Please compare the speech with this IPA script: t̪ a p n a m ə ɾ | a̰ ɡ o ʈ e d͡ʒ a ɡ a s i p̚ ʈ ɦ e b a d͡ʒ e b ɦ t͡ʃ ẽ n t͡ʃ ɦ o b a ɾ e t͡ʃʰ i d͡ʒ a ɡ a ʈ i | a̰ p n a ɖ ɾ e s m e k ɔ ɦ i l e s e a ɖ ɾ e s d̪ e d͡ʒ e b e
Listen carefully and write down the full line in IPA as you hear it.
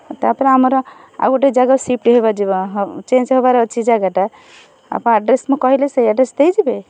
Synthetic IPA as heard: t̪ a p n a m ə ɾ | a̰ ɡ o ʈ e d͡ʒ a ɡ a s i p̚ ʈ ɦ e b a d͡ʒ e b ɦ t͡ʃ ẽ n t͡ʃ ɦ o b a ɾ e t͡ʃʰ i d͡ʒ a ɡ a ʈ a | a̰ p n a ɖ ɾ e s m e k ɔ ɦ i l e s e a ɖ ɾ e s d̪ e d͡ʒ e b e